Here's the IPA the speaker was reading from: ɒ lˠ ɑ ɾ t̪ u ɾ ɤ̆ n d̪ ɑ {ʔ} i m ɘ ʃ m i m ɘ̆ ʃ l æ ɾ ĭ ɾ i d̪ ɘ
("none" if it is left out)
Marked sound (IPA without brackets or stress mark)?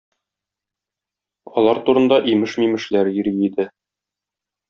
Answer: ʔ